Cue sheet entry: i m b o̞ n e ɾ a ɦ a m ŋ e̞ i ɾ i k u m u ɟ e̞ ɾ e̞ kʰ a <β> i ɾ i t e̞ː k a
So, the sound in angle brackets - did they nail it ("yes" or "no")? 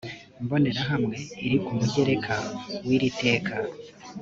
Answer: no